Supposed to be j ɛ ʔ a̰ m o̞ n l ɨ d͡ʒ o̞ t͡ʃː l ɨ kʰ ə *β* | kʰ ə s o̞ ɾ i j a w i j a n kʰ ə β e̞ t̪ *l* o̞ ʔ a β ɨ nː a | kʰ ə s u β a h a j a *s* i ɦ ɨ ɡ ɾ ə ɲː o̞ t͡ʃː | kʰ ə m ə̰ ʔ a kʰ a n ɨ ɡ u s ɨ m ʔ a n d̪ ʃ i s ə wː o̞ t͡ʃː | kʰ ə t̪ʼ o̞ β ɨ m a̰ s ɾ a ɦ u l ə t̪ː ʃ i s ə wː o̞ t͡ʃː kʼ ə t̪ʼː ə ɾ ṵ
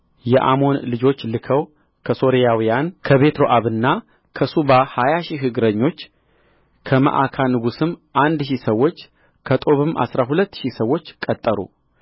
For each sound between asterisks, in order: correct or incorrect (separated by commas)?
incorrect, incorrect, incorrect